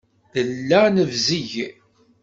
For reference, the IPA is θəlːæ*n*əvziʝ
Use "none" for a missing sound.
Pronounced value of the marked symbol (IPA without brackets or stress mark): n